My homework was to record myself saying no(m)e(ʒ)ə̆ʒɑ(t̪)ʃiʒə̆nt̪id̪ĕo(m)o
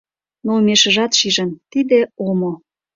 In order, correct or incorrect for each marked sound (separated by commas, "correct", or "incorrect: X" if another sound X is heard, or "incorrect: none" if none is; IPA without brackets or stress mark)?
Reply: correct, incorrect: ʃ, correct, correct